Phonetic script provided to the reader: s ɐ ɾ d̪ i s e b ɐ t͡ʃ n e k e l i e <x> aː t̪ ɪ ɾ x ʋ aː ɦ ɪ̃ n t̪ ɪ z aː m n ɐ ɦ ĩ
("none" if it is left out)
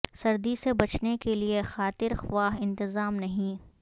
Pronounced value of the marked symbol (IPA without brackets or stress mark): x